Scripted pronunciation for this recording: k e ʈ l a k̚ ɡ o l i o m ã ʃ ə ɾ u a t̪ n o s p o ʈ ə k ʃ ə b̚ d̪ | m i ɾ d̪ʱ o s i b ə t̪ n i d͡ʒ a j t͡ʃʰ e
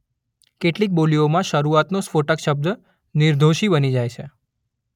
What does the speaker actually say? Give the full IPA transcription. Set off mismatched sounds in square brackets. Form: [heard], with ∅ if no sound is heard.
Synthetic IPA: k e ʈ l [i] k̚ [b] o l i o m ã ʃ ə ɾ u a t̪ n o s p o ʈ ə k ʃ ə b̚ d̪ | [n] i ɾ d̪ʱ o [ʃ] i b ə [∅] n i d͡ʒ a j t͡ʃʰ e